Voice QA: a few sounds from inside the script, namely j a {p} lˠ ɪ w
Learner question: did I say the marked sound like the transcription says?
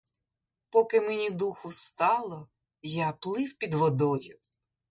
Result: yes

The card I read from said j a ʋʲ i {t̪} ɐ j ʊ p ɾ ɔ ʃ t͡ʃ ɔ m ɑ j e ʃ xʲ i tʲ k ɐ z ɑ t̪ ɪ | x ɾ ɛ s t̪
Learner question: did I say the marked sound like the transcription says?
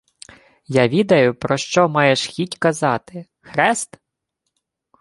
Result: no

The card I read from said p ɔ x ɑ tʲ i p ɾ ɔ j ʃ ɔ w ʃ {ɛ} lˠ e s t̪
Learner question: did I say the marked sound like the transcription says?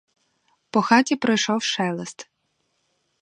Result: yes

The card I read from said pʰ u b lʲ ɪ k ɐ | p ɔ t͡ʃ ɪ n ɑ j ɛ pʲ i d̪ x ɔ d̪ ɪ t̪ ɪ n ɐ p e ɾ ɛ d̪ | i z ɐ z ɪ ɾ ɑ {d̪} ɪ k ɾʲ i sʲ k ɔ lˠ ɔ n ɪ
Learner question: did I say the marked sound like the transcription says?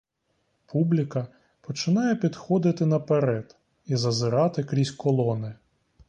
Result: no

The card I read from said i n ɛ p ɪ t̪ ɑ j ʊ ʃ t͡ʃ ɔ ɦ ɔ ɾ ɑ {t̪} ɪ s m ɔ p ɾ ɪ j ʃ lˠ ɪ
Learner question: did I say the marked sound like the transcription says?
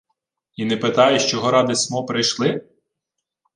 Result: no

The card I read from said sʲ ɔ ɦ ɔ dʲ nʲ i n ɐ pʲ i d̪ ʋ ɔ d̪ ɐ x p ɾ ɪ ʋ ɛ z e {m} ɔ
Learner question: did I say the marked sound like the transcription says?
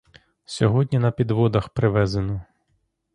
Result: no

